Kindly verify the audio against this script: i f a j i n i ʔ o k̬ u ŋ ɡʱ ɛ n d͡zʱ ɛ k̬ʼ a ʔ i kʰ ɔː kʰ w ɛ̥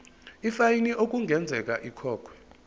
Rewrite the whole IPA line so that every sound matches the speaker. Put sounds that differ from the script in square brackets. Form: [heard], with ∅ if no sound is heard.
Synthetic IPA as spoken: i f a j i n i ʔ o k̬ u ŋ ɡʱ ɛ n d͡zʱ ɛ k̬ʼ a ʔ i kʰ ɔː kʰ w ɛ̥